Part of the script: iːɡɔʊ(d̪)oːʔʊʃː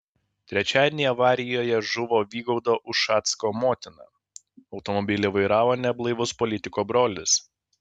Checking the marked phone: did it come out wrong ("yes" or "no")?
no